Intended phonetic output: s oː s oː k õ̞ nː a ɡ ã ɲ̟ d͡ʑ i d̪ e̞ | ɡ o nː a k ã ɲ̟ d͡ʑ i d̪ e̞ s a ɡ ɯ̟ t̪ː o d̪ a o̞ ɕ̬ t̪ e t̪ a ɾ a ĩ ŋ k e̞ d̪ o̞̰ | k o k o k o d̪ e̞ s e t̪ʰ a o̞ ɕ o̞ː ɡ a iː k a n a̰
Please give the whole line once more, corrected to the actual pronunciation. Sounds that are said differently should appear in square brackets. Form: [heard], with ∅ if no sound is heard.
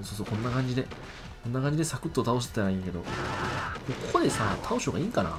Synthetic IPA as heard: s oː s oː k õ̞ nː a [k] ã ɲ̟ d͡ʑ i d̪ e̞ | [k] o nː a k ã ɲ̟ d͡ʑ i d̪ e̞ s a [k] ɯ̟ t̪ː o [t̪] a o̞ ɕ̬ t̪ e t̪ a ɾ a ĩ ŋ k e̞ d̪ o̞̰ | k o k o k o d̪ e̞ s [a] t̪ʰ a o̞ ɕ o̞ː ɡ a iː k a n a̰